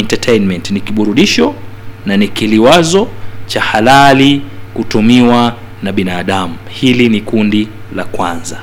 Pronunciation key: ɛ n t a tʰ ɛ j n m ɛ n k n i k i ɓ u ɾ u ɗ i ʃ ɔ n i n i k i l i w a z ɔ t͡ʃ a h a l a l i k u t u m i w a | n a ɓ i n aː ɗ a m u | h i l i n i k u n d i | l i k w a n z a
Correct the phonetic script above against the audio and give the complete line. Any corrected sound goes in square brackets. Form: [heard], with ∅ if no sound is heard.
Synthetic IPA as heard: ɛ n t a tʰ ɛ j n m ɛ n [t] n i k i ɓ u ɾ u ɗ i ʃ ɔ n [a] n i k i l i w a z ɔ t͡ʃ a h a l a l i k u t u m i w a | n a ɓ i n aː ɗ a m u | h i l i n i k u n d i | l [a] k w a n z a